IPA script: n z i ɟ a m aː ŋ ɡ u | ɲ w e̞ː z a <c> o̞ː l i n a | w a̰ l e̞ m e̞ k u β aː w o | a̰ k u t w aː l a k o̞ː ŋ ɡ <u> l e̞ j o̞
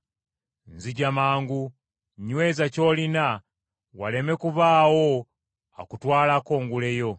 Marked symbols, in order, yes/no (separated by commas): yes, yes